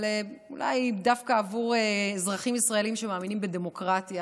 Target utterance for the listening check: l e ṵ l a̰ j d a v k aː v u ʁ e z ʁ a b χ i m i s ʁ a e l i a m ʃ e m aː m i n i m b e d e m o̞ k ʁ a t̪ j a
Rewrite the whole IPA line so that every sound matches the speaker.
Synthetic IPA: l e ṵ l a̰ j d a f k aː v u ʁ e z ʁ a χ i m i s ʁ a e l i i m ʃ e m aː m i n i m b e d e m o̞ k ʁ a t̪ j a